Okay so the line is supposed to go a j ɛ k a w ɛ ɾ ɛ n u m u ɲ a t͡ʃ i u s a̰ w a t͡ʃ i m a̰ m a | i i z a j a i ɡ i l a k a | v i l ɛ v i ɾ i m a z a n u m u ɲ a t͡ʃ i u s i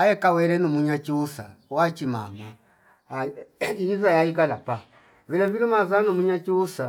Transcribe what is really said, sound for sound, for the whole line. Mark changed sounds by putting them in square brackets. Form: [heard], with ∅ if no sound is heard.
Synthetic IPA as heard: a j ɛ k a w ɛ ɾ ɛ n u m u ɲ a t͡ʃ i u s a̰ w a t͡ʃ i m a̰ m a | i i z a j a i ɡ [a] l a [p] a | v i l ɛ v i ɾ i m a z a n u m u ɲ a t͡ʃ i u s [a]